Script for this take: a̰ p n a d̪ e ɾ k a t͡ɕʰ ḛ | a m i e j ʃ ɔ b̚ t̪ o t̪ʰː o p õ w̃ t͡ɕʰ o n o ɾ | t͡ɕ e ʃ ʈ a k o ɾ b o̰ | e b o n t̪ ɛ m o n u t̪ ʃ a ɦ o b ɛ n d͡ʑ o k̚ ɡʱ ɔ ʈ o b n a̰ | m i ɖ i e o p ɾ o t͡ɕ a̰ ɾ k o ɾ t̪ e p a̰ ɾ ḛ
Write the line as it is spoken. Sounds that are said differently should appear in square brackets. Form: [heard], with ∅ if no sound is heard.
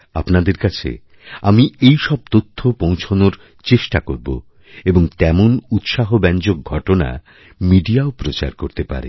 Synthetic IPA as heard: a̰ p n a d̪ e ɾ k a t͡ɕʰ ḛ | a m i e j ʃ ɔ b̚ t̪ o t̪ʰː o p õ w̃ t͡ɕʰ o n o ɾ | t͡ɕ e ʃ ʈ a k o ɾ b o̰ | e b o [ŋ] t̪ ɛ m o n u t̪ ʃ a ɦ o b ɛ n d͡ʑ o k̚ ɡʱ ɔ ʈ o [∅] n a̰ | m i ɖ i [a] o p ɾ o t͡ɕ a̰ ɾ k o ɾ t̪ e p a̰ ɾ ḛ